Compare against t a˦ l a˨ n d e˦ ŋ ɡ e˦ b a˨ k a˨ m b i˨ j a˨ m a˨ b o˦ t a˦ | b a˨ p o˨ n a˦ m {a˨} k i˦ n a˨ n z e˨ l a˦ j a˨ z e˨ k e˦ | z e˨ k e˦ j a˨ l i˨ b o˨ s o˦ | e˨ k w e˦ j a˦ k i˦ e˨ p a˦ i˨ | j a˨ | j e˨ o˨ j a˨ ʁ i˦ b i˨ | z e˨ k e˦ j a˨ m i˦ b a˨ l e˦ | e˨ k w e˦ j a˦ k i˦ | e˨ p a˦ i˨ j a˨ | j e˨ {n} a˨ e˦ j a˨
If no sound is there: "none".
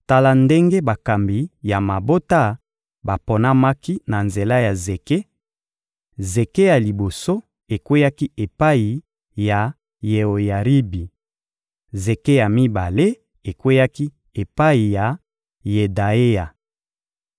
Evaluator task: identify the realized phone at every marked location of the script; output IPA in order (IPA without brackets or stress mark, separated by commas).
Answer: a˦, d